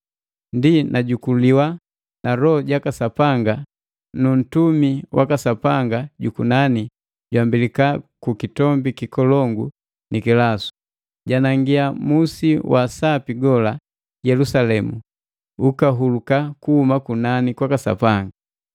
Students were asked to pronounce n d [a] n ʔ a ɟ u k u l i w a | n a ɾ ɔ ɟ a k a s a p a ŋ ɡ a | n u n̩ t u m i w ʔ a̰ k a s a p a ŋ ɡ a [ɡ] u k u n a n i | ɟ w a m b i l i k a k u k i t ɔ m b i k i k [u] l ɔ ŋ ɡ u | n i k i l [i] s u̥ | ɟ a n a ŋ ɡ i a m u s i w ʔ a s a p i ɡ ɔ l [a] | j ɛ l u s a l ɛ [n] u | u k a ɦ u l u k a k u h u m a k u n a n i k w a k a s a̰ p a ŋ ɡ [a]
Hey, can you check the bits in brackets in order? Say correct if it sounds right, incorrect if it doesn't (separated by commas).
incorrect, incorrect, incorrect, incorrect, correct, incorrect, correct